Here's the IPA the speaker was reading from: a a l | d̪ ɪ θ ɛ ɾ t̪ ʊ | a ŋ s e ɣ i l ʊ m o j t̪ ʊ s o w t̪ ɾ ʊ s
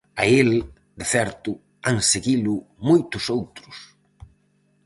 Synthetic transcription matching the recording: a e l | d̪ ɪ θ ɛ ɾ t̪ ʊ | a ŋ s e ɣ i l ʊ m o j t̪ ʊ s o w t̪ ɾ ʊ s